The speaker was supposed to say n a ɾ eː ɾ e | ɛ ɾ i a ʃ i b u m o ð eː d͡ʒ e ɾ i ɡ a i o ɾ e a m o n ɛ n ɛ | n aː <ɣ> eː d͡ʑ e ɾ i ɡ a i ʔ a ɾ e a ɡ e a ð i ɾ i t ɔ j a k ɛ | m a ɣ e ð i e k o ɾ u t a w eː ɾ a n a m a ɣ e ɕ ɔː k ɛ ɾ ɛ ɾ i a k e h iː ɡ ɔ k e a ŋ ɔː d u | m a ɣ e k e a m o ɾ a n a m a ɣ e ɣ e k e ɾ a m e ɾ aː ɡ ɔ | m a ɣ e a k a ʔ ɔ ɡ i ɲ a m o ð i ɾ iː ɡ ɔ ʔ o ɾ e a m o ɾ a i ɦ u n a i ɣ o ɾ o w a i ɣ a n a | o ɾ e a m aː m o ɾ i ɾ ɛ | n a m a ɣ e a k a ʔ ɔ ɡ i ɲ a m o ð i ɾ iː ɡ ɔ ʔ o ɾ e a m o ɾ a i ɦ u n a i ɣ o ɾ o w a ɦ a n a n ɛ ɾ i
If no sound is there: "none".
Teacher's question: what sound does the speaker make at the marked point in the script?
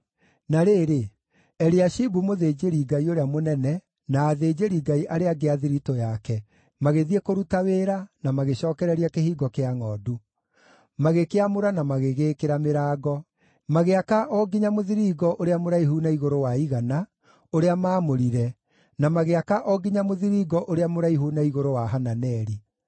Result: ð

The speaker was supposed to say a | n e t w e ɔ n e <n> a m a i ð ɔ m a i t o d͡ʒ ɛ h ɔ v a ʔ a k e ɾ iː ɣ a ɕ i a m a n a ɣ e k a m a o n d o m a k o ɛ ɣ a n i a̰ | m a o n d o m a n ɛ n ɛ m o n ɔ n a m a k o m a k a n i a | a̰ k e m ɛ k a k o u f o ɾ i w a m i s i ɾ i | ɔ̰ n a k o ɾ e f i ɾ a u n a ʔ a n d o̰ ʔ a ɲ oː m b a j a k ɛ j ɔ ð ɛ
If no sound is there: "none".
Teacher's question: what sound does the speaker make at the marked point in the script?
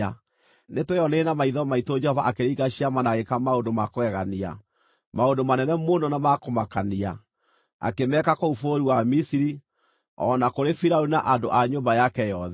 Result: n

